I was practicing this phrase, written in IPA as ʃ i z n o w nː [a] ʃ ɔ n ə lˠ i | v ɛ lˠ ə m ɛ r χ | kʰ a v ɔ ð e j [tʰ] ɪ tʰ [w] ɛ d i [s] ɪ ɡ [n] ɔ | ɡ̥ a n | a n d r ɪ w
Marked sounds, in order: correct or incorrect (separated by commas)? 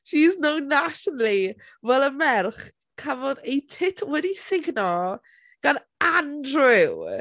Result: correct, correct, correct, correct, correct